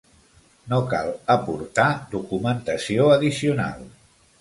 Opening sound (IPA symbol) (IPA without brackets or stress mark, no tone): n